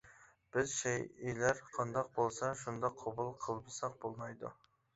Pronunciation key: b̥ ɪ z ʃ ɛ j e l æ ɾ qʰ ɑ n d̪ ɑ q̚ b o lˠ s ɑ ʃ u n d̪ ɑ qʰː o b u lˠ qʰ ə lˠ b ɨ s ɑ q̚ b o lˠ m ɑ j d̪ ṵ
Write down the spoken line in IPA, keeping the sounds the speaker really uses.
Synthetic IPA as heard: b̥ ɪ z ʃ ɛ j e l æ ɾ qʰ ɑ n d̪ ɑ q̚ b o lˠ s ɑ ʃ u n d̪ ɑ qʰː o b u lˠ qʰ ə lˠ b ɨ s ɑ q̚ b o lˠ m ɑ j d̪ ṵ